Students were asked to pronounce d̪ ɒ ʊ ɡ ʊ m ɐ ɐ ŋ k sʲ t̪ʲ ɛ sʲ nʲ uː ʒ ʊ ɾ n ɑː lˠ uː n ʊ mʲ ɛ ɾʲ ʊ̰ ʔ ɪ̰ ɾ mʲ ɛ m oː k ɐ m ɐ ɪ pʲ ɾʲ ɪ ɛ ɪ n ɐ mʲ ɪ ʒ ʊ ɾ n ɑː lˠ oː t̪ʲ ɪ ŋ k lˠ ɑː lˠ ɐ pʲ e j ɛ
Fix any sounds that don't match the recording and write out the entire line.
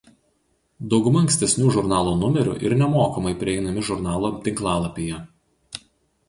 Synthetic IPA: d̪ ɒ ʊ ɡ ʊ m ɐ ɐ ŋ k sʲ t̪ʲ ɛ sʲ nʲ uː ʒ ʊ ɾ n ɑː lˠ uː n ʊ mʲ ɛ ɾʲ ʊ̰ ʔ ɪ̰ ɾ nʲ ɛ m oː k ɐ m ɐ ɪ pʲ ɾʲ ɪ ɛ ɪ n ɐ mʲ ɪ ʒ ʊ ɾ n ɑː lˠ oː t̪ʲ ɪ ŋ k lˠ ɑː lˠ ɐ pʲ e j ɛ

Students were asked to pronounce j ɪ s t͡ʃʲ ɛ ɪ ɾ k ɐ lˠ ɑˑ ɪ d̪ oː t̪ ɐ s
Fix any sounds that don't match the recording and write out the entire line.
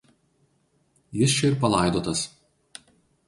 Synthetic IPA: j ɪ s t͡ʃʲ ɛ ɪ ɾ p ɐ lˠ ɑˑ ɪ d̪ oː t̪ ɐ s

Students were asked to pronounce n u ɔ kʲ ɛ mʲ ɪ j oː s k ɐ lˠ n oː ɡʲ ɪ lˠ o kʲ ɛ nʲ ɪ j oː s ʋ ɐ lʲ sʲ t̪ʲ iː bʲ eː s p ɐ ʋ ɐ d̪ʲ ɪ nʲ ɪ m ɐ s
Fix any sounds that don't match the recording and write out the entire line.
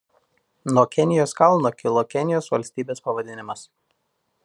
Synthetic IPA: n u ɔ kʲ ɛ nʲ ɪ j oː s k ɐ lˠ n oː kʲ ɪ lˠ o kʲ ɛ nʲ ɪ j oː s ʋ ɐ lʲ sʲ t̪ʲ iː bʲ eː s p ɐ ʋ ɐ d̪ʲ ɪ nʲ ɪ m ɐ s

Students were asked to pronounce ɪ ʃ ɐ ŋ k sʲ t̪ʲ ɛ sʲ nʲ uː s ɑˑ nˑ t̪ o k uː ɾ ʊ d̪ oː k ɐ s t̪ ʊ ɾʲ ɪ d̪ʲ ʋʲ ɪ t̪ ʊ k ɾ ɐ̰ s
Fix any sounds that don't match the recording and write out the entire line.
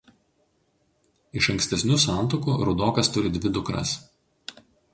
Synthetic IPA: ɪ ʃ ɐ ŋ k sʲ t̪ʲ ɛ sʲ nʲ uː s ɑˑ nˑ t̪ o k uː ɾ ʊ d̪ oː k ɐ s t̪ ʊ ɾʲ ɪ d̪ʲ ʋʲ ɪ d̪ ʊ k ɾ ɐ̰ s

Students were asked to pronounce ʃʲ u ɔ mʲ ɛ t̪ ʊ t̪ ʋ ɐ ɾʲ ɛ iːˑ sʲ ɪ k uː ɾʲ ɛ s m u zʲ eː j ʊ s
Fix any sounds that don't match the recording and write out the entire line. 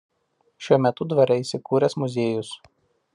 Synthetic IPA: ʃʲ u ɔ mʲ ɛ t̪ ʊ d̪ ʋ ɐ ɾʲ ɛ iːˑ sʲ ɪ k uː ɾʲ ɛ s m ʊ zʲ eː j ʊ s

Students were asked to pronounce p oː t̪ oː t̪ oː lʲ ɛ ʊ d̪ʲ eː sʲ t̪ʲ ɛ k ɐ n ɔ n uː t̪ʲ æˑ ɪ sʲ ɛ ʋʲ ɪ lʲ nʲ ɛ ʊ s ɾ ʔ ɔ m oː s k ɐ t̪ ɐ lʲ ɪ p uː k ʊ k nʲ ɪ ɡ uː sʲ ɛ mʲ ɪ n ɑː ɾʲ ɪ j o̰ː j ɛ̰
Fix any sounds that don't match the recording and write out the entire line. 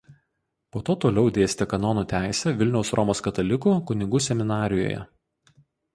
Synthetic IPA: p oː t̪ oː t̪ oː lʲ ɛ ʊ d̪ʲ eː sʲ t̪ʲ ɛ k ɐ n ɔ n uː t̪ʲ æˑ ɪ sʲ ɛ ʋʲ ɪ lʲ nʲ ɛ ʊ s ɾ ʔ ɔ m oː s k ɐ t̪ ɐ lʲ ɪ k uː k ʊ nʲ ɪ ɡ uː sʲ ɛ mʲ ɪ n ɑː ɾʲ ɪ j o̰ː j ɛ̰

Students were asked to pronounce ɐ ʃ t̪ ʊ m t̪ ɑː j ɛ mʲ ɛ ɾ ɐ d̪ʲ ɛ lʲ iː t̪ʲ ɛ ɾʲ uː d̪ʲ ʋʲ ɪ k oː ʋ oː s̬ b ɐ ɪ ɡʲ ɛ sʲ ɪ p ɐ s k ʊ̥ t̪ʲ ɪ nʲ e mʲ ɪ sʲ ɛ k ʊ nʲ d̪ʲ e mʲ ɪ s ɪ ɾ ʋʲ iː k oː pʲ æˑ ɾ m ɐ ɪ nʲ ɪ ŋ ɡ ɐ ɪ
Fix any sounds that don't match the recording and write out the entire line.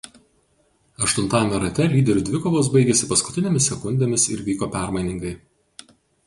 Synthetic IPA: ɐ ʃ t̪ ʊ n t̪ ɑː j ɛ mʲ ɛ ɾ ɐ t̪ʲ ɛ lʲ iː d̪ʲ ɛ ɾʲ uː d̪ʲ ʋʲ ɪ k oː ʋ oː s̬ b ɐ ɪ ɡʲ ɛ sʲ ɪ p ɐ s k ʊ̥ t̪ʲ ɪ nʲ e mʲ ɪ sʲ ɛ k ʊ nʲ d̪ʲ e mʲ ɪ s ɪ ɾ ʋʲ iː k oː pʲ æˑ ɾ m ɐ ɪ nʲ ɪ ŋ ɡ ɐ ɪ

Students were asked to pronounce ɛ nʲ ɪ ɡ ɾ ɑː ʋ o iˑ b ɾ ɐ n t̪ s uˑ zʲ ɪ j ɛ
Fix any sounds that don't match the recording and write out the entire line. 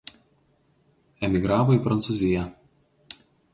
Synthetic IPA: ɛ mʲ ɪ ɡ ɾ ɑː ʋ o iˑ p ɾ ɐ n t̪ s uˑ zʲ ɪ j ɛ

